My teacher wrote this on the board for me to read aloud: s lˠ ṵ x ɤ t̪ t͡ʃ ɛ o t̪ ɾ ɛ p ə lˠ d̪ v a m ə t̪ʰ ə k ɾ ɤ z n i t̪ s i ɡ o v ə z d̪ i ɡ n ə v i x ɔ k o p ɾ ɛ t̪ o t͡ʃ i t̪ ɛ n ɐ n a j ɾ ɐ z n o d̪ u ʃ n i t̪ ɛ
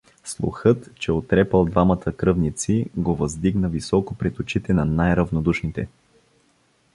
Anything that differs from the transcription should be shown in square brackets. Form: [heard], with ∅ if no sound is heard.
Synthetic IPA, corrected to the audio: s lˠ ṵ x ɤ t̪ t͡ʃ ɛ o t̪ ɾ ɛ p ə lˠ d̪ v a m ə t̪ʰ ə k ɾ ɤ [v] n i t̪ s i ɡ o v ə z d̪ i ɡ n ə v i [s] ɔ k o p ɾ ɛ t̪ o t͡ʃ i t̪ ɛ n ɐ n a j ɾ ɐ [v] n o d̪ u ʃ n i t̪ ɛ

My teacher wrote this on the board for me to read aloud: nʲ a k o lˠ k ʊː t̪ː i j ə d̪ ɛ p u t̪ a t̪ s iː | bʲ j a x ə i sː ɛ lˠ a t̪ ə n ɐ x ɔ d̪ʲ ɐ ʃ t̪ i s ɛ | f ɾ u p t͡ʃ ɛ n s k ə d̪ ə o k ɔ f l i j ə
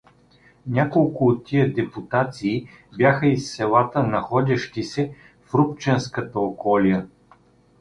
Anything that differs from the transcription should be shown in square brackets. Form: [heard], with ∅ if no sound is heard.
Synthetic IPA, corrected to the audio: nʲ a k o lˠ k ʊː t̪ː i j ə d̪ ɛ p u t̪ a t̪ s iː | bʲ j a x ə i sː ɛ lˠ a t̪ ə n ɐ x ɔ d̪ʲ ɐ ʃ t̪ i s ɛ | f ɾ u p t͡ʃ ɛ n s k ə [t̪] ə o k ɔ [∅] l i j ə

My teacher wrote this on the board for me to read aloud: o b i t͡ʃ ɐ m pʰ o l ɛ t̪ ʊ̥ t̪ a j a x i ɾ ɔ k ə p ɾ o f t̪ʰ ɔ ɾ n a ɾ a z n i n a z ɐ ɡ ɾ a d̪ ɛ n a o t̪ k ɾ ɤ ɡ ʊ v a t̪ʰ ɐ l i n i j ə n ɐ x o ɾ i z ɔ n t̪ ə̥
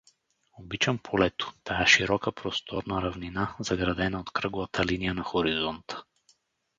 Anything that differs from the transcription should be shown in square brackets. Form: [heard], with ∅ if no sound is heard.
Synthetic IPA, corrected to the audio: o b i t͡ʃ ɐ m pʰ o l ɛ t̪ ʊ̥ t̪ a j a [ʃ] i ɾ ɔ k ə p ɾ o [s] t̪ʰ ɔ ɾ n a ɾ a [v] n i n a z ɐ ɡ ɾ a d̪ ɛ n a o t̪ k ɾ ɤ ɡ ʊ v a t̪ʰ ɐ l i n i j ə n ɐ x o ɾ i z ɔ n t̪ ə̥

